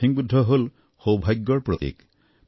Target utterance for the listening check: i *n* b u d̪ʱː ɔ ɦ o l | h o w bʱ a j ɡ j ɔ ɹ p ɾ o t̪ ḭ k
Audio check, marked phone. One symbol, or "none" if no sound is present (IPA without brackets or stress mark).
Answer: ŋ